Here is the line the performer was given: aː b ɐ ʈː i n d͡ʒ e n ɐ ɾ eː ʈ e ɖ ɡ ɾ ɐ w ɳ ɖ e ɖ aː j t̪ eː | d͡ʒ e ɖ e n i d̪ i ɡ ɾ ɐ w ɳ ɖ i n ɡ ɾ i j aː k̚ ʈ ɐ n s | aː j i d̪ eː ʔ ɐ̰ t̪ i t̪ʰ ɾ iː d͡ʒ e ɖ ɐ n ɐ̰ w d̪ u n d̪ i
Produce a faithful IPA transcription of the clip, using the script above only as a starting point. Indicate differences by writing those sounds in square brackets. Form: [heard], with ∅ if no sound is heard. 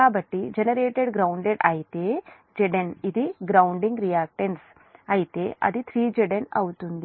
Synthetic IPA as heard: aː b ɐ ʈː i [∅] d͡ʒ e n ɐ ɾ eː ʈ e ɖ ɡ ɾ ɐ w ɳ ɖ e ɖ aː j t̪ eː | d͡ʒ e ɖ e n i d̪ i ɡ ɾ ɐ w ɳ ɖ i [ŋ] ɡ ɾ i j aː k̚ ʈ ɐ n s | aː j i [t̪] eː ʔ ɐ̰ [d̪] i t̪ʰ ɾ iː d͡ʒ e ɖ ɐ n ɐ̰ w [t̪] u n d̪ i